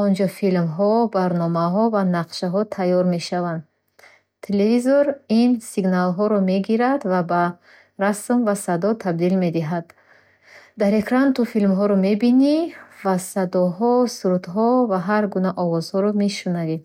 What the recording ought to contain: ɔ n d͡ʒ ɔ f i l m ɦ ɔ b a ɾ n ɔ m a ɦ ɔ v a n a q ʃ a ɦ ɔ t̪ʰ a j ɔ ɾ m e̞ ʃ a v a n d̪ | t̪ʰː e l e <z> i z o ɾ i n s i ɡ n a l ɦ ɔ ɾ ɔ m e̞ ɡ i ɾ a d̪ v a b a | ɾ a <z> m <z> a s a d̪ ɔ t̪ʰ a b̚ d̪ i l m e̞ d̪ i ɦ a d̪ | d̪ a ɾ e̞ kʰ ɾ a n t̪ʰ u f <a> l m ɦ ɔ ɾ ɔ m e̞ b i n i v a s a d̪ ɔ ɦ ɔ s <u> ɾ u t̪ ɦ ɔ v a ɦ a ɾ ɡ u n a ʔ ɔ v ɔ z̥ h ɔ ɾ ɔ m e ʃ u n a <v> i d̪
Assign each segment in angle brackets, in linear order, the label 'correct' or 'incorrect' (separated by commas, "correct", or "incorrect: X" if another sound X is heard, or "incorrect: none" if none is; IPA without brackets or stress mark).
incorrect: v, incorrect: s, incorrect: v, incorrect: i, correct, correct